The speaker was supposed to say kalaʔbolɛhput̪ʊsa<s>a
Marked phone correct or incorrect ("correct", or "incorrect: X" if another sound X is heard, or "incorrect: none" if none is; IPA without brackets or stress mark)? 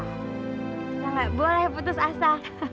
correct